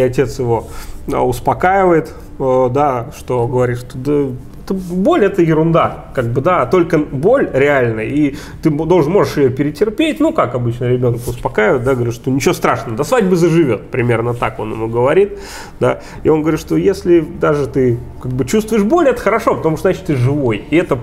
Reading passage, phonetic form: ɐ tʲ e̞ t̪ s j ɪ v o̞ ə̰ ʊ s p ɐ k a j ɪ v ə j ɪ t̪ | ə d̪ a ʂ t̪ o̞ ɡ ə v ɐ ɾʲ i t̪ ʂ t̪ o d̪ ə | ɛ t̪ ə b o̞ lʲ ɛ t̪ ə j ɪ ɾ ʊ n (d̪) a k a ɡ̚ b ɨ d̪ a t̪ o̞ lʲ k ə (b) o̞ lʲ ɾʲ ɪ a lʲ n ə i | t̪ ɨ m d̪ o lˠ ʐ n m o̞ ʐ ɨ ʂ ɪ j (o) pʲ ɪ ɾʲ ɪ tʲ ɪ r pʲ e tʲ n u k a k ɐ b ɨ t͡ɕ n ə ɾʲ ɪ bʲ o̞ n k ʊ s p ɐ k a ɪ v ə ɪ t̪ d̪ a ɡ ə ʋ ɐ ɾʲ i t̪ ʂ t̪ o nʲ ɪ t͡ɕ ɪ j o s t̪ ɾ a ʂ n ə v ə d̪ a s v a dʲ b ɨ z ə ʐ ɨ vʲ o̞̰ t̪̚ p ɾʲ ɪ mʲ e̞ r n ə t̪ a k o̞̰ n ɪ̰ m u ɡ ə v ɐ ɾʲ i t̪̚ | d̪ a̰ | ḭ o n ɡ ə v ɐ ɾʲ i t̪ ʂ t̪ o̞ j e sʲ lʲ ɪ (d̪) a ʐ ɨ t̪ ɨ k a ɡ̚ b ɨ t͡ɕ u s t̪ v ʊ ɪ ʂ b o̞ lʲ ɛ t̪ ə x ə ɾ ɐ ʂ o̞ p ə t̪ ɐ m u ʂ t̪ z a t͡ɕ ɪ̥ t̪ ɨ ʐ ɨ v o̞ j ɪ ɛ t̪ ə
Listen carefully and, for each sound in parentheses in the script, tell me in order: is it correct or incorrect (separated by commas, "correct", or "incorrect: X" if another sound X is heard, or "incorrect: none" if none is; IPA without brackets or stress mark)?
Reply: correct, correct, correct, correct